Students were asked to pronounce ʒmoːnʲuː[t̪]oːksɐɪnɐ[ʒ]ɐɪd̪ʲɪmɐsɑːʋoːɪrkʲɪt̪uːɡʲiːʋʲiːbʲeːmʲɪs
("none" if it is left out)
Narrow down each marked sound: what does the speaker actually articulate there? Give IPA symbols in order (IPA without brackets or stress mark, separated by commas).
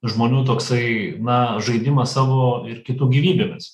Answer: t̪, ʒ